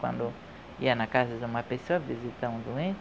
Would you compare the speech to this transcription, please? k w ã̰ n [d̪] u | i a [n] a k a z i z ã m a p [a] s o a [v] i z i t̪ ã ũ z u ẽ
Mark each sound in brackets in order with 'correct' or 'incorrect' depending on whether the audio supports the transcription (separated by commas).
correct, correct, incorrect, correct